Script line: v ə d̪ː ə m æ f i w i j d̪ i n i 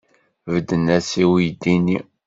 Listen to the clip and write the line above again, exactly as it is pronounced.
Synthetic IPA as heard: v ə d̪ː ə n æ s i w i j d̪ i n i